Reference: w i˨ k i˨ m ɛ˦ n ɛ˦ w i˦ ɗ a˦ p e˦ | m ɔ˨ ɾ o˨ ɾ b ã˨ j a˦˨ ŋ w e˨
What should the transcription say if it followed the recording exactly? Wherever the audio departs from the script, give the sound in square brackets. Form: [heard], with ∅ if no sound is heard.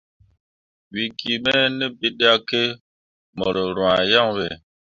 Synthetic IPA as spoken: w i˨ k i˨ m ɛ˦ n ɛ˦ [b] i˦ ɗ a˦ [k] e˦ | m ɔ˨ ɾ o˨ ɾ [w] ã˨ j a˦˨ ŋ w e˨